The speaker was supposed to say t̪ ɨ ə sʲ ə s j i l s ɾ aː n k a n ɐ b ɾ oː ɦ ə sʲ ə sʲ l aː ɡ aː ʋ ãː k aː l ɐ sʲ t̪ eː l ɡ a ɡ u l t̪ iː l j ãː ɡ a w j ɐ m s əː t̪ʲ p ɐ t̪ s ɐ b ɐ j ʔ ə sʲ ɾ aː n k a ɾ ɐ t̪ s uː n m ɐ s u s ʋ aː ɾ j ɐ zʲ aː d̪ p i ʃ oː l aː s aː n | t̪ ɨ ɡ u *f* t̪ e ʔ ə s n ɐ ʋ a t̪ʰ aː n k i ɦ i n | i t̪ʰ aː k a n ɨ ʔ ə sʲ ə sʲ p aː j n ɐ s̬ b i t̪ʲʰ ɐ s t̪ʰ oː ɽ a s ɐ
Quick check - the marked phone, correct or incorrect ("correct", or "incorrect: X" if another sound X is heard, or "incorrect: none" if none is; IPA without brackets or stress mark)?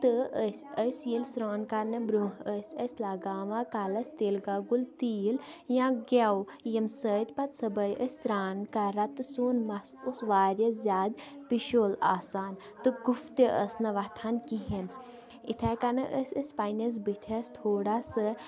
correct